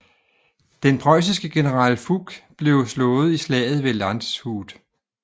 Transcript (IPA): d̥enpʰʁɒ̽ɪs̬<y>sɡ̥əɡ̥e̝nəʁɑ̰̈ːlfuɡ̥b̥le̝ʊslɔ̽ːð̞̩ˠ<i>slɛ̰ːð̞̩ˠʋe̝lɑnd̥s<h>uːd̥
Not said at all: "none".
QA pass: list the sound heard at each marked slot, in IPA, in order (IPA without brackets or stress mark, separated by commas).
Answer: i, i, h